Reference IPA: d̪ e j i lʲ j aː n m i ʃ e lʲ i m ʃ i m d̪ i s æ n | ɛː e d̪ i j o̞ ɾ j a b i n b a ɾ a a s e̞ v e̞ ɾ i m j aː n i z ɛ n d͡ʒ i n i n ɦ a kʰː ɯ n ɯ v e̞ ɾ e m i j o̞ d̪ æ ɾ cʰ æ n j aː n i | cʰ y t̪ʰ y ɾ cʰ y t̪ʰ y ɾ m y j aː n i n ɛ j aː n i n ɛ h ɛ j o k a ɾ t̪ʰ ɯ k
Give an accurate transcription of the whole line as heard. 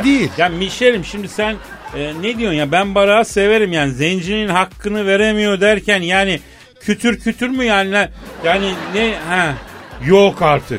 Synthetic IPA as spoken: d̪ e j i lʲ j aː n m i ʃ e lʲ i m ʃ i m d̪ i s æ n | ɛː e d̪ i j o̞ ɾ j a b æ n b a ɾ a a s e̞ v e̞ ɾ i m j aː n i z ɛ n d͡ʒ i n i n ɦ a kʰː ɯ n ɯ v e̞ ɾ e m i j o̞ d̪ æ ɾ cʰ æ n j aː n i | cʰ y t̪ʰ y ɾ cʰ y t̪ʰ y ɾ m y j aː n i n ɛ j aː n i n ɛ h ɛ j o k a ɾ t̪ʰ ɯ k